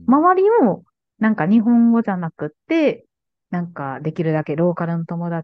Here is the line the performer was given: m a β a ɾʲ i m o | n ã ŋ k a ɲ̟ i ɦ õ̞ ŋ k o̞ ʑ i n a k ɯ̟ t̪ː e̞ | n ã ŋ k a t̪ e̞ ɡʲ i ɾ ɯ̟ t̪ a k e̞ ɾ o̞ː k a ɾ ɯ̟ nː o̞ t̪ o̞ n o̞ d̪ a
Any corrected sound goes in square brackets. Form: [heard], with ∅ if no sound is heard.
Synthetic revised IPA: m a β a ɾʲ i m o | n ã ŋ k a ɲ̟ i ɦ õ̞ ŋ [ɡ] o̞ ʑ [a] n a k ɯ̟ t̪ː e̞ | n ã ŋ k a [d̪] e̞ [kʲ] i ɾ ɯ̟ [d̪] a k e̞ ɾ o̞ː k a ɾ ɯ̟ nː o̞ t̪ o̞ [m] o̞ d̪ a